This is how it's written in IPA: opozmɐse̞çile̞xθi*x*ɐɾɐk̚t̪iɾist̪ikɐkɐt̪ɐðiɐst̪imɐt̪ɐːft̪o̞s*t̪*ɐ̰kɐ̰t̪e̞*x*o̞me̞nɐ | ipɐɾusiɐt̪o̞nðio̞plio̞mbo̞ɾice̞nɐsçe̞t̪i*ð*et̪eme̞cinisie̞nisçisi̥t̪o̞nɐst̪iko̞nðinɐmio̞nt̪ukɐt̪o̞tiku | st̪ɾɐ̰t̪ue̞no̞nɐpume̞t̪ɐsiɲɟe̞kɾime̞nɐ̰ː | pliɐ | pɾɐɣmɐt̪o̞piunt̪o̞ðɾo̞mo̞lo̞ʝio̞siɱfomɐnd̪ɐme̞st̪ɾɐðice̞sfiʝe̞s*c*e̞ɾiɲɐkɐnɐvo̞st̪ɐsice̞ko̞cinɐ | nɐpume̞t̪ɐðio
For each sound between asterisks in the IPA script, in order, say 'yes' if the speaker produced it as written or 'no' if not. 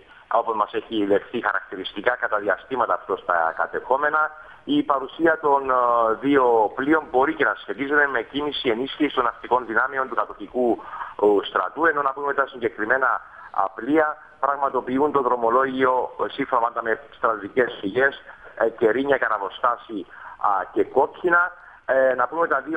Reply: yes, yes, yes, no, yes

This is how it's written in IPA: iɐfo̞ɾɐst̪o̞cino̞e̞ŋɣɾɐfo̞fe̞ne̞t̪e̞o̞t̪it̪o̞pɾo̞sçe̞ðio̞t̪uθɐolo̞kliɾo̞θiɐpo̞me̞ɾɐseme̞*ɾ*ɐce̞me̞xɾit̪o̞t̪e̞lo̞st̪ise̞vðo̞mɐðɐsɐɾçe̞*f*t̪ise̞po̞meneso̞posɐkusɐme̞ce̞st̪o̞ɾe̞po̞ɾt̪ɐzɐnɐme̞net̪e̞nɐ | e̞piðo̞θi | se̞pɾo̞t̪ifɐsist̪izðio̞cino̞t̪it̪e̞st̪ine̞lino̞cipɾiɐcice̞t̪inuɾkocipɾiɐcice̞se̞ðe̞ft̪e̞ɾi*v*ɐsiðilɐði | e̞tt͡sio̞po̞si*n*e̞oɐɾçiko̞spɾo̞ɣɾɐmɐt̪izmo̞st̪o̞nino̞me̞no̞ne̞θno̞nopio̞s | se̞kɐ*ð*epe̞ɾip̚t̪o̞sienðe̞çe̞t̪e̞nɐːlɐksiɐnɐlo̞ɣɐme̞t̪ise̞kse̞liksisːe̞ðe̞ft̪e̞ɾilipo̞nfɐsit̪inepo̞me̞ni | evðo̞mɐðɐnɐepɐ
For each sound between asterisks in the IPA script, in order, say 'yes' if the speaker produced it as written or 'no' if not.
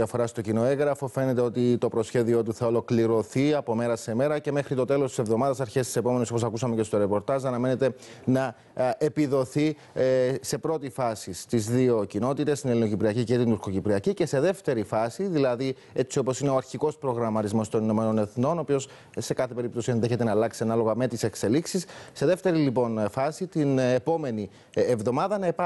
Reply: yes, no, no, yes, no

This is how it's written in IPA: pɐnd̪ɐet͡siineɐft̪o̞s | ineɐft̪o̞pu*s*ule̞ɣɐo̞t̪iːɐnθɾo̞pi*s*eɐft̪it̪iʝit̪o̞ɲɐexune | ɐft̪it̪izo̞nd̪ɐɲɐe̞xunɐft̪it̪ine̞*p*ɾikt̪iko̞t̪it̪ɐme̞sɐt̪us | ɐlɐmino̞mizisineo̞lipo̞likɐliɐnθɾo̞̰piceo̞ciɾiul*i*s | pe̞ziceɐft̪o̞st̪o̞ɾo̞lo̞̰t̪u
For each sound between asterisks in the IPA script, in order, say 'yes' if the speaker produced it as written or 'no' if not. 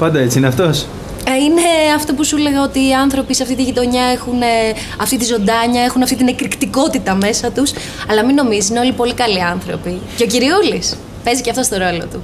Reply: yes, yes, no, yes

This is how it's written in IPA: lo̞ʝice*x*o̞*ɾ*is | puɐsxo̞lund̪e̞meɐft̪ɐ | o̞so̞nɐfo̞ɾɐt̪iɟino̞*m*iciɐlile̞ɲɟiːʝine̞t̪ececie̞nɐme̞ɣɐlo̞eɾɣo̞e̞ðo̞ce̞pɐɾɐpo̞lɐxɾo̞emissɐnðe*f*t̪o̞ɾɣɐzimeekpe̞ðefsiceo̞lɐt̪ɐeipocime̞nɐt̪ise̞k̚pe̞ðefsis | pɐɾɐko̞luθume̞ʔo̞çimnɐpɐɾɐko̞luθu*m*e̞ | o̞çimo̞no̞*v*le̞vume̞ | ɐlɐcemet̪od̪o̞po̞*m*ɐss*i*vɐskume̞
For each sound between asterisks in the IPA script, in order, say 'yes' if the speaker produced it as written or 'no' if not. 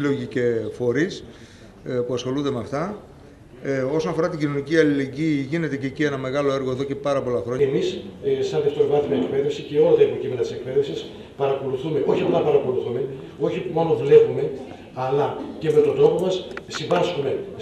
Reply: no, yes, no, yes, yes, yes, yes, yes

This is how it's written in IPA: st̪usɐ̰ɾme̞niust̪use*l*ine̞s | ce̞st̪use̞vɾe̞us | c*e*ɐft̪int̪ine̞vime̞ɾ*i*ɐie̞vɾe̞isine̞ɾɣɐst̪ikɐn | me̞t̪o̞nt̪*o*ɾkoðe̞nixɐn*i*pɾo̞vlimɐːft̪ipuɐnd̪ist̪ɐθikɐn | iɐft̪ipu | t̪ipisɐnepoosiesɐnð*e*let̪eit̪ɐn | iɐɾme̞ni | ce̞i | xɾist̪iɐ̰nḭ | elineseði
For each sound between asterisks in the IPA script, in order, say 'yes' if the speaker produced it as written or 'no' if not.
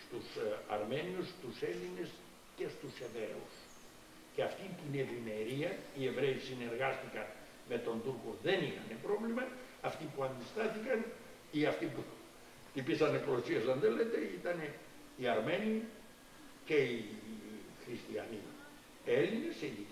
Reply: yes, yes, yes, no, no, yes

